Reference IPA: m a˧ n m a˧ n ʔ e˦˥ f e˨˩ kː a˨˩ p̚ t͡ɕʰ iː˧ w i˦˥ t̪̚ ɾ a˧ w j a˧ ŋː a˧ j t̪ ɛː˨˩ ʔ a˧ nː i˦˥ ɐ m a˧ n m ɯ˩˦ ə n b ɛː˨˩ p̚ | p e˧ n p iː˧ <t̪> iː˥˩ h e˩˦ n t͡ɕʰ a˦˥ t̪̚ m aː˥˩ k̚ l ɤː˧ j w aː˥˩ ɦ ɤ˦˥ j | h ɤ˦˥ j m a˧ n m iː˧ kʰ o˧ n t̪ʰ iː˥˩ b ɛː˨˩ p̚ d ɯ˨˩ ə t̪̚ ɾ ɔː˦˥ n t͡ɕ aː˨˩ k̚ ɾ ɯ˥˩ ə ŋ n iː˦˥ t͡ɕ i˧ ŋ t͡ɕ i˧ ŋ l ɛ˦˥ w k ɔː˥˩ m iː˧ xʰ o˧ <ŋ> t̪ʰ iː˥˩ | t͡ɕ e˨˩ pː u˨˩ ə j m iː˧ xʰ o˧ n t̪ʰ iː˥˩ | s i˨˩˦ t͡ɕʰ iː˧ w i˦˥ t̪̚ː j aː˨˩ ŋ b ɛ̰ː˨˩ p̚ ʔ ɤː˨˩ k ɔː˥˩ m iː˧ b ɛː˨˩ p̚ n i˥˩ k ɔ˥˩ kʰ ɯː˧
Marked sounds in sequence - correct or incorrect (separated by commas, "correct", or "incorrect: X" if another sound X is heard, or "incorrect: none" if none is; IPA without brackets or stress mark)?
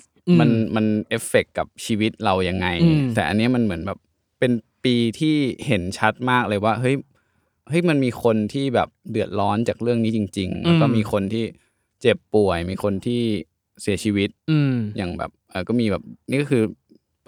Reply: incorrect: t̪ʰ, incorrect: n